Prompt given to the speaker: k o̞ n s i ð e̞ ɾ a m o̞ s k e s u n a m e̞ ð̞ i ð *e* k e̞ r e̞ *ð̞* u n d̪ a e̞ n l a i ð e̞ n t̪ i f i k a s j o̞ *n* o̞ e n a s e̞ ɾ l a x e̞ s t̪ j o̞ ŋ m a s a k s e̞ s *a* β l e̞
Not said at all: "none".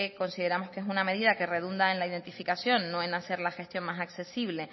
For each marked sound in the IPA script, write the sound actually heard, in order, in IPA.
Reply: a, ð̞, nː, i

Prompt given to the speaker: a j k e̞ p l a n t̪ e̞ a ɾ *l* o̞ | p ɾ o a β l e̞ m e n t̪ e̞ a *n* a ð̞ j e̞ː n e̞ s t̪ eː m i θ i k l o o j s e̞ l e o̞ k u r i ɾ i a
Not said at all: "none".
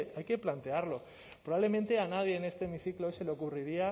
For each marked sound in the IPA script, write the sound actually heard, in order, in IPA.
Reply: l, n

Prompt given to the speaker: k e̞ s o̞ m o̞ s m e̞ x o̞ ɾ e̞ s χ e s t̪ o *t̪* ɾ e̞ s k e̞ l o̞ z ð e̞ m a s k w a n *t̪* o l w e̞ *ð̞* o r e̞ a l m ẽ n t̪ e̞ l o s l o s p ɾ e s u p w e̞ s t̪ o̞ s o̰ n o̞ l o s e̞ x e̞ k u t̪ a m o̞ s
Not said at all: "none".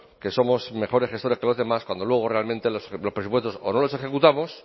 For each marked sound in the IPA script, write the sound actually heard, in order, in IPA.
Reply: none, d̪, ɣ̞

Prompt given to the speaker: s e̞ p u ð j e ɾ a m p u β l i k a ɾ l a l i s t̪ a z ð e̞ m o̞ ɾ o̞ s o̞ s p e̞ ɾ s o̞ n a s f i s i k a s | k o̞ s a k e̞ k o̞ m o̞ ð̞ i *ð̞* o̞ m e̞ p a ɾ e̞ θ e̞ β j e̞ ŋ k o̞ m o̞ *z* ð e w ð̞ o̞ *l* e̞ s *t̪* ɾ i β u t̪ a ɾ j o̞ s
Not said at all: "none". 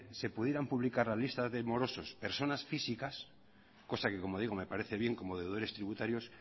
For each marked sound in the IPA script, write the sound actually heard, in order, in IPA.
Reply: ɣ̞, none, ɾ, t̪

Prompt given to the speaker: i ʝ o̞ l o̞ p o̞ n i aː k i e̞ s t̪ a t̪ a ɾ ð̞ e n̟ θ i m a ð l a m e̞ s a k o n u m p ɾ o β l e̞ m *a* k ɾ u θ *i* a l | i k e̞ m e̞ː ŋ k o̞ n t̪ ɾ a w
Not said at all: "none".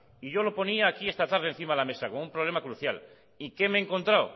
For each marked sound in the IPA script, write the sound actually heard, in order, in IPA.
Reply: a, j

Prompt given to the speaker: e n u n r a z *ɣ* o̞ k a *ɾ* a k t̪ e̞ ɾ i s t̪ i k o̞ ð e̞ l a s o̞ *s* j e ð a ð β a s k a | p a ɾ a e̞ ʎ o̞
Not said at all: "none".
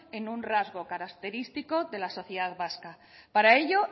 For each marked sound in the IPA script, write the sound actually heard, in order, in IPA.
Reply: ɣ, ɾ, θ

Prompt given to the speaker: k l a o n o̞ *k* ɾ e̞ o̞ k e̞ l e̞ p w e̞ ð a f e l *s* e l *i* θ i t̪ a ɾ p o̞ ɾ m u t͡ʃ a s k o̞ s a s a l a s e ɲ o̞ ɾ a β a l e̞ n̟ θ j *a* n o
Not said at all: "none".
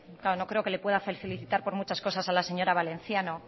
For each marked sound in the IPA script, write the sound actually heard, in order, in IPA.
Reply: k, θ, i, a

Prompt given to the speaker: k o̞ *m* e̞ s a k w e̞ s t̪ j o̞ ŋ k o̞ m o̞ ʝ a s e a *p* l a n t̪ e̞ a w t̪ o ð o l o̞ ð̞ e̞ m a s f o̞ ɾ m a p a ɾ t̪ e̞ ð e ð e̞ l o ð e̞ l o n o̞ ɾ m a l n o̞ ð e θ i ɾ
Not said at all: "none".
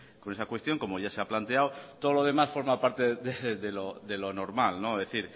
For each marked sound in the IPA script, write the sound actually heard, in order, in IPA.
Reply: n, p

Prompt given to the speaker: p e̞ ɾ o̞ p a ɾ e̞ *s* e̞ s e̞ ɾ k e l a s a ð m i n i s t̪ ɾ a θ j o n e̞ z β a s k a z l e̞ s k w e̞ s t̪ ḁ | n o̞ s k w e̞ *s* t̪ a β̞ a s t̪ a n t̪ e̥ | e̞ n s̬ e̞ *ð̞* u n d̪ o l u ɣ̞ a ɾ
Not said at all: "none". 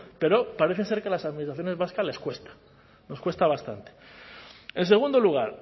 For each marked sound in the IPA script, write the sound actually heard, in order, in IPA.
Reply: θ, s, ɣ̞

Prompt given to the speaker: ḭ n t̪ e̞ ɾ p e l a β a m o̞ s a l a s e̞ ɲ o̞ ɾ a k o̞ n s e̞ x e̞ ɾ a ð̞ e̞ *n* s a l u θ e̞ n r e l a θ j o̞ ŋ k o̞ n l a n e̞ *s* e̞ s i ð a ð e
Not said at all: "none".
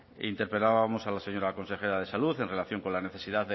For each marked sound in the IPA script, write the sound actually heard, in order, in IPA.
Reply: none, θ

